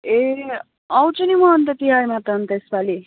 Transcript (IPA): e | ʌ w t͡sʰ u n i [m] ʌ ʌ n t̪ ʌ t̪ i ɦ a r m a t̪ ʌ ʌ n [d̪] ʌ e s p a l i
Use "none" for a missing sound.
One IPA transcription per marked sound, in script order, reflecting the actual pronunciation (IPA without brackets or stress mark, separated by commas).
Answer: m, t̪